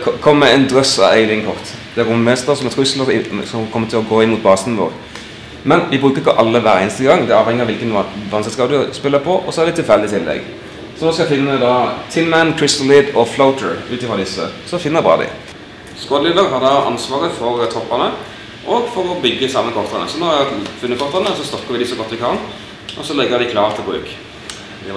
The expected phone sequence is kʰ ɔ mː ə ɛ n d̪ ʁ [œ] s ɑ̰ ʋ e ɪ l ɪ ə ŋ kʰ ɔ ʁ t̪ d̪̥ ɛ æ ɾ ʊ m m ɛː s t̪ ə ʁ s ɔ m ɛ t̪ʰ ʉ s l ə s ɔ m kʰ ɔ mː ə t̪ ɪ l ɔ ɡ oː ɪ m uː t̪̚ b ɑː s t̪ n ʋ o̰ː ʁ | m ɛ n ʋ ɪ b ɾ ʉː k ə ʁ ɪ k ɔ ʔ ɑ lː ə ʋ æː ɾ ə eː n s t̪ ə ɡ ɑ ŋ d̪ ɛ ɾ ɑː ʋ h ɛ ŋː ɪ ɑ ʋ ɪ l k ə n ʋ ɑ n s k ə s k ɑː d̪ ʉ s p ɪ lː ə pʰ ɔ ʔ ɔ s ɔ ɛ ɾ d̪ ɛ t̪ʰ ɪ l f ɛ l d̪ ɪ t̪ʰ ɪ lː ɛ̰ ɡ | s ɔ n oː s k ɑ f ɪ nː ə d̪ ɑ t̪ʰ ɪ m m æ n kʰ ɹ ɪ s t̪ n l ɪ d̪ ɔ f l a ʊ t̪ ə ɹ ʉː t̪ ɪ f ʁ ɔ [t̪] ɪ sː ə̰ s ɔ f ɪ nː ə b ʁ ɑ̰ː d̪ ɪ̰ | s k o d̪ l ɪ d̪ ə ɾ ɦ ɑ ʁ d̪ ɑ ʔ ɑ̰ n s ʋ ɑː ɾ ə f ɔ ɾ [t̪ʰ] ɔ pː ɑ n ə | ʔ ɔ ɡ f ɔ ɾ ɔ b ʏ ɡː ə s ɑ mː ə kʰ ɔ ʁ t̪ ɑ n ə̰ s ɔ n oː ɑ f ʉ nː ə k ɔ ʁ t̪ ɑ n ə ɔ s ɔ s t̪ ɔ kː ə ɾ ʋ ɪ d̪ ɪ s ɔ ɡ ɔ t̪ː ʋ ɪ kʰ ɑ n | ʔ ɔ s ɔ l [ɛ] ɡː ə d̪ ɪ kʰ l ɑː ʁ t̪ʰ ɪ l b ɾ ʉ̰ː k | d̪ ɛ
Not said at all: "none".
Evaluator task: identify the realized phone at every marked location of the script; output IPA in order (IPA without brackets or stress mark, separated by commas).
œ, d̪, t̪ʰ, ɛ